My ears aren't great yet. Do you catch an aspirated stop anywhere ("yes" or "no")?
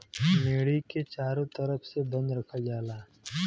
yes